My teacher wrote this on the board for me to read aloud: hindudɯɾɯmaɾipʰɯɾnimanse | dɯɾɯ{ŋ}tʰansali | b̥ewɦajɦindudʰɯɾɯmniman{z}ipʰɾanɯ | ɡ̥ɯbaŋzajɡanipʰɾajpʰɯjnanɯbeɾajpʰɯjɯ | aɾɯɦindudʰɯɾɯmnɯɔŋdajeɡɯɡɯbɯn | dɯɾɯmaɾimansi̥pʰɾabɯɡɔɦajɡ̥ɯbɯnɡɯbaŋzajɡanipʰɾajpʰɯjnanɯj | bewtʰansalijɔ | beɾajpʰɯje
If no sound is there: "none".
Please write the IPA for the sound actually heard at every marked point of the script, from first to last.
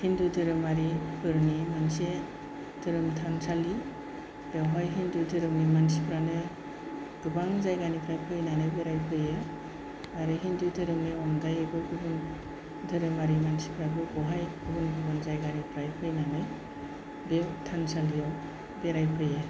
m, s

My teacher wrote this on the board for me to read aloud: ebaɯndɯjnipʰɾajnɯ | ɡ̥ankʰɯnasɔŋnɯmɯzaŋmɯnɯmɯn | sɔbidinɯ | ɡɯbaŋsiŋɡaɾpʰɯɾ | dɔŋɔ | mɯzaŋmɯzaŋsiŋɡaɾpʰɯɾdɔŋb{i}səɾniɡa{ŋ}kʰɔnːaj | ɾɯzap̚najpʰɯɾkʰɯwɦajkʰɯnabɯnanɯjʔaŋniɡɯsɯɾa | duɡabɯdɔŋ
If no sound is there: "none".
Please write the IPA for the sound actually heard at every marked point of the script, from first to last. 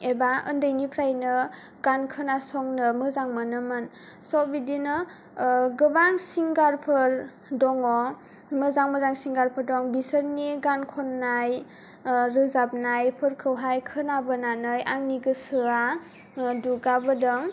i, n

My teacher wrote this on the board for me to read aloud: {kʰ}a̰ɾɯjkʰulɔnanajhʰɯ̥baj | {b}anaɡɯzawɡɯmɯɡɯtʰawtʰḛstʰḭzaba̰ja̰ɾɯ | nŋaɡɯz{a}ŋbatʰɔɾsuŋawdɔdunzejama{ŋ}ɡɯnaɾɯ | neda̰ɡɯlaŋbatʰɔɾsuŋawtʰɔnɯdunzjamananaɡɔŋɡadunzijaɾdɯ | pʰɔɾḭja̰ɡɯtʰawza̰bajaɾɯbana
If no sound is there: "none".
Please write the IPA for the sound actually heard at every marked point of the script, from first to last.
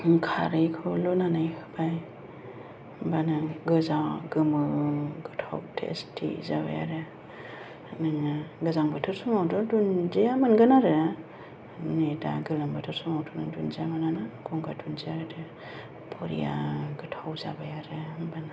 kʰ, b, a, n

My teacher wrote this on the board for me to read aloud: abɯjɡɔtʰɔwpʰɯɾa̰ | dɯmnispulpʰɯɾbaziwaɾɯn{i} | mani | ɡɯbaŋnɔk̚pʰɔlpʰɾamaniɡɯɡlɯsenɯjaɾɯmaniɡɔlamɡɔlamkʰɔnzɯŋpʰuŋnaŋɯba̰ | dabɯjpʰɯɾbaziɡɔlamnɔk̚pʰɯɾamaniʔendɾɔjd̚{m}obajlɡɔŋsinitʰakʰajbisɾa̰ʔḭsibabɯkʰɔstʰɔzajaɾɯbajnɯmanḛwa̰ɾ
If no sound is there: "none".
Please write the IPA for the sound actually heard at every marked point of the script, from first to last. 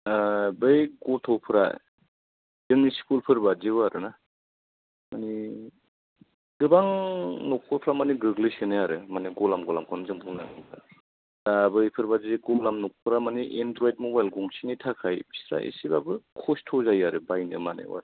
a, m

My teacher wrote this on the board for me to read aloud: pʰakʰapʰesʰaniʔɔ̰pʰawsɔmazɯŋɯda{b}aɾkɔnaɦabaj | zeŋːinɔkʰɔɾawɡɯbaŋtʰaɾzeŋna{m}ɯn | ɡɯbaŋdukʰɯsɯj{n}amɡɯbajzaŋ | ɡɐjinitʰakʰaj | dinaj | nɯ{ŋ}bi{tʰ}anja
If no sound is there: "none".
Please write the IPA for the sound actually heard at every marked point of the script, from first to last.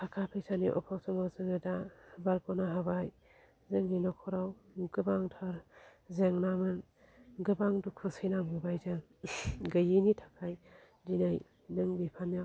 b, m, n, ŋ, pʰ

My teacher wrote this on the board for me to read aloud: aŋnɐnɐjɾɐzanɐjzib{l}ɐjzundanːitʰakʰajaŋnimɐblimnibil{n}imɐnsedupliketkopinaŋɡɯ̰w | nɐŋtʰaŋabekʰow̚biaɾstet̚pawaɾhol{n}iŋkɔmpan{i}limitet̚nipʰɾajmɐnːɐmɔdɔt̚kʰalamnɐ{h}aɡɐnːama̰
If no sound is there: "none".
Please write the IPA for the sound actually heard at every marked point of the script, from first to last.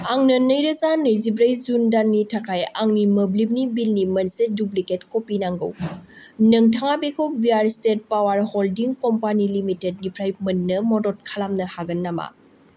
ɾ, n, d, i, h

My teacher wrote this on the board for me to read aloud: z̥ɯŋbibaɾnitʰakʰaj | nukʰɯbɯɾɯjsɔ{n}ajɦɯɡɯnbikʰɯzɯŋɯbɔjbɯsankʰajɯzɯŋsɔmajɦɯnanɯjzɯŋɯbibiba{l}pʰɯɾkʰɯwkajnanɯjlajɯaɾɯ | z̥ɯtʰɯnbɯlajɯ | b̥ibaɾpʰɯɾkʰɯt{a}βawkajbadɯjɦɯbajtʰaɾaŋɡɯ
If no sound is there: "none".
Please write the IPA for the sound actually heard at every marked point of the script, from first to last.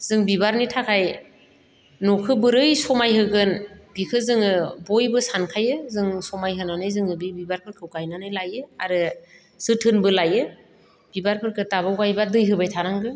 m, ɾ, a

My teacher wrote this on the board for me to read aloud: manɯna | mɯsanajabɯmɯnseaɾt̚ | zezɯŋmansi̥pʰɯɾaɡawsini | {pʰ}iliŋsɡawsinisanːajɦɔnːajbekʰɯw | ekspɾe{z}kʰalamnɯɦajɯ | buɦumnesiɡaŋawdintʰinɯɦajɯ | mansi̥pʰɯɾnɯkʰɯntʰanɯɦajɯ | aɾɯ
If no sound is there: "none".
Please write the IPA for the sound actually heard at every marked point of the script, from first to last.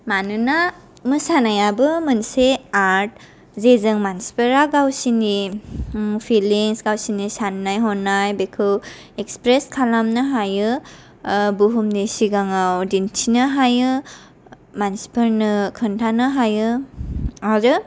pʰ, s

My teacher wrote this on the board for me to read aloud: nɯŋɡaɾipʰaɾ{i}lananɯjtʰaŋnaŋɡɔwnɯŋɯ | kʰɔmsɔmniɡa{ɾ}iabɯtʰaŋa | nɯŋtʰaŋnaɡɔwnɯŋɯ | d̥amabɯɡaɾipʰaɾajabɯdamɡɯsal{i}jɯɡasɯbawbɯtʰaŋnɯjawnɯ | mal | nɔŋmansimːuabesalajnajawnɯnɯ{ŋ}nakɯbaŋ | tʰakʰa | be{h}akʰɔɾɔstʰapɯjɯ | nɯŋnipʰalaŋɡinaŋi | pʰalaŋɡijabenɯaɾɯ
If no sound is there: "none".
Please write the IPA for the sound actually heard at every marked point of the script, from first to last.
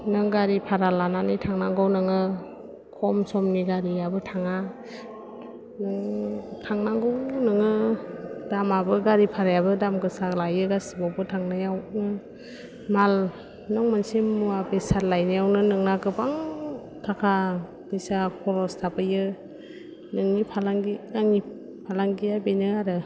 a, ɾ, a, ŋ, s

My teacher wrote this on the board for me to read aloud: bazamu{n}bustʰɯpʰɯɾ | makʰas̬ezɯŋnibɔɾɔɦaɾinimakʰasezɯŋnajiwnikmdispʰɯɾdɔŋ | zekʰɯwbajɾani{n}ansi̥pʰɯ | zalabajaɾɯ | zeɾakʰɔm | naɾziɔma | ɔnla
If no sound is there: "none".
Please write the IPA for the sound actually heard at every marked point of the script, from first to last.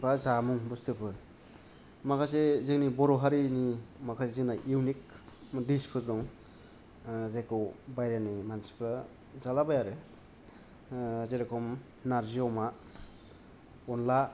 ŋ, m

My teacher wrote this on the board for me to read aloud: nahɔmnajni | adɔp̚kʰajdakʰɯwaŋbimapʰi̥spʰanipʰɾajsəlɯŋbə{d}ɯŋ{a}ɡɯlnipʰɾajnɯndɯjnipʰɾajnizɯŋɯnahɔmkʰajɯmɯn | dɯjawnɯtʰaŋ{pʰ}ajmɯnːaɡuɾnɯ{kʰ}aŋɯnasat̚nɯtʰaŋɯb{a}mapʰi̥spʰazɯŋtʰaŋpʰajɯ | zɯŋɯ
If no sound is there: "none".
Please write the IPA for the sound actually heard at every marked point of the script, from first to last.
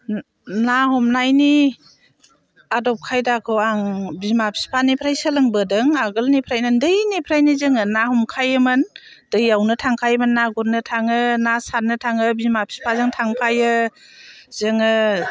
d, a, kʰ, tʰ, i

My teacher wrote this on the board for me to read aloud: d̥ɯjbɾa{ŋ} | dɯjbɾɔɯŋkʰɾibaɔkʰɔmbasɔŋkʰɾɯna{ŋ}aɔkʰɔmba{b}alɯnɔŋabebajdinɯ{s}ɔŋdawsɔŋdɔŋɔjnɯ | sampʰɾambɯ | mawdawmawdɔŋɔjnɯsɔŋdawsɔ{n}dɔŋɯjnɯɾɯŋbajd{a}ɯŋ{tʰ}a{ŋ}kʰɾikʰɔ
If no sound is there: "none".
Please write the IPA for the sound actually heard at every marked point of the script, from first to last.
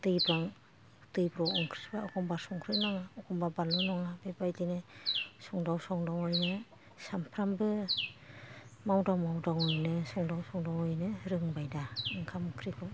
ŋ, ŋ, b, s, ŋ, a, kʰ, m

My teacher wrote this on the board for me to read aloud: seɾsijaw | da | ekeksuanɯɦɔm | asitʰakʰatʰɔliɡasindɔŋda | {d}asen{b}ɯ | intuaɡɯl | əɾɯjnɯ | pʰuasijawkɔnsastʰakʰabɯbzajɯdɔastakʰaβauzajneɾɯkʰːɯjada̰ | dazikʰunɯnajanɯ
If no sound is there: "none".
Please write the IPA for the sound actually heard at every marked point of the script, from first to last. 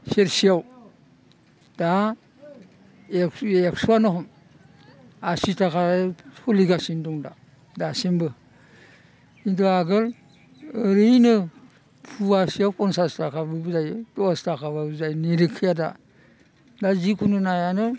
d, b

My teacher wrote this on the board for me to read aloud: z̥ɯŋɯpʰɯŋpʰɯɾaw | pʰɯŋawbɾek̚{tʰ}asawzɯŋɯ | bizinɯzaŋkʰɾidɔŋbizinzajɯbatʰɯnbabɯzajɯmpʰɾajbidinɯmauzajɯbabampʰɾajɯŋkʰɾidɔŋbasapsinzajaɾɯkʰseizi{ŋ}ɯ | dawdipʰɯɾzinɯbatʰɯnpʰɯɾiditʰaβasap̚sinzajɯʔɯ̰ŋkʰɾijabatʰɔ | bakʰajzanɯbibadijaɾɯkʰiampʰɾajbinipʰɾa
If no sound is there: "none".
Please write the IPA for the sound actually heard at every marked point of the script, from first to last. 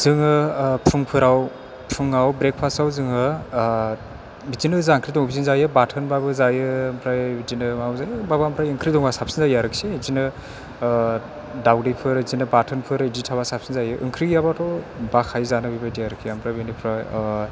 pʰ, n

